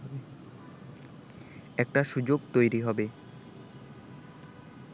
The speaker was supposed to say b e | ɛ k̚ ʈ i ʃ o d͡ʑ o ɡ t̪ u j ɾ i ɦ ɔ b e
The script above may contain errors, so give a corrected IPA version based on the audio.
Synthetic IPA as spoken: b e | ɛ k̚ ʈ a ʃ u d͡ʑ o ɡ t̪ o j ɾ i ɦ ɔ b e